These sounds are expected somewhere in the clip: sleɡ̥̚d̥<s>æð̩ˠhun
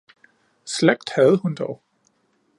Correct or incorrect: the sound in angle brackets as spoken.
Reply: incorrect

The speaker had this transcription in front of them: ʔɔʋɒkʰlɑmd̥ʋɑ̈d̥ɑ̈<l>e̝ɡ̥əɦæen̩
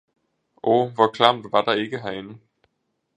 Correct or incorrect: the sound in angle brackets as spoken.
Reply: incorrect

